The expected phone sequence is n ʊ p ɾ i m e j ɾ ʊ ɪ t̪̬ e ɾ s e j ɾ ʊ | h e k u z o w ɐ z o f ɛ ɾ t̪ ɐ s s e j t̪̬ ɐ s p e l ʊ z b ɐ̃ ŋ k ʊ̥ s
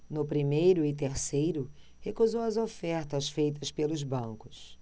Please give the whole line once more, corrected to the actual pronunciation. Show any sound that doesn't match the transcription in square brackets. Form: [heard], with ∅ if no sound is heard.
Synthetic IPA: n ʊ p ɾ i m e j ɾ ʊ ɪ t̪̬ e ɾ s e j ɾ ʊ | h e k u z o w ɐ z o f ɛ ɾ t̪ ɐ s [f] e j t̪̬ ɐ s p e l ʊ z b ɐ̃ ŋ k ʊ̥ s